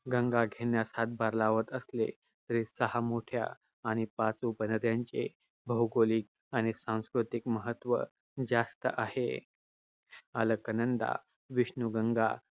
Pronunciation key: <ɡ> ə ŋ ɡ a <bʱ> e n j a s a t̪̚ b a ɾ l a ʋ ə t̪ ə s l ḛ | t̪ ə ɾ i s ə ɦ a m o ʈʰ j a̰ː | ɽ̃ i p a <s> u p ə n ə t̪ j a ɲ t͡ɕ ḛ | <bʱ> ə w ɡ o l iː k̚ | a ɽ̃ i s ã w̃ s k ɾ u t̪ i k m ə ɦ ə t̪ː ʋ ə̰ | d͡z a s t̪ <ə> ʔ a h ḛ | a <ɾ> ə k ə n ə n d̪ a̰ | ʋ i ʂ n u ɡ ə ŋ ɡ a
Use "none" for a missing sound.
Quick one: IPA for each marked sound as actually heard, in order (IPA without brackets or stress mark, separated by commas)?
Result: ɡ, ɡʱ, t͡s, bʱ, ə, l